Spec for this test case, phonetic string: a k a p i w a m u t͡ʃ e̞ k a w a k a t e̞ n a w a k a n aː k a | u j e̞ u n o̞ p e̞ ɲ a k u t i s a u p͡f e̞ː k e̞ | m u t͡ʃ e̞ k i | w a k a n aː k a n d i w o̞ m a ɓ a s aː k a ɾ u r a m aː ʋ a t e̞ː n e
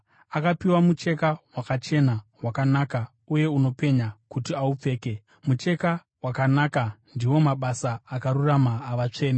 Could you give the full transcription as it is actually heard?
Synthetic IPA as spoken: a k a p i w a m u t͡ʃ e̞ k a w a k a t͡ʃ e̞ n a w a k a n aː k a | u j e̞ u n o̞ p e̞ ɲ a k u t i a u p͡f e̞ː k e̞ | m u t͡ʃ e̞ k a | w a k a n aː k a n d i w o̞ m a ɓ a s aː k a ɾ u r a m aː ʋ a t͡ʂ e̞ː n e